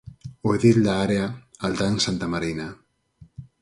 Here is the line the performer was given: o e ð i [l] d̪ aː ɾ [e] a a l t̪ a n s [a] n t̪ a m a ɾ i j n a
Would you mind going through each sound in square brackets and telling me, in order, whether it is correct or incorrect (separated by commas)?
correct, correct, correct